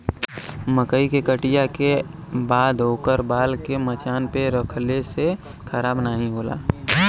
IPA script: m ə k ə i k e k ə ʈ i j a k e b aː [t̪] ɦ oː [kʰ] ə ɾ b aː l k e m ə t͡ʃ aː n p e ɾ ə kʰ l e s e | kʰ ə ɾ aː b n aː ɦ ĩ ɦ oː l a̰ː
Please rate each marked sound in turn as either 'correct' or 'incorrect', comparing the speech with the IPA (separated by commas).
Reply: incorrect, incorrect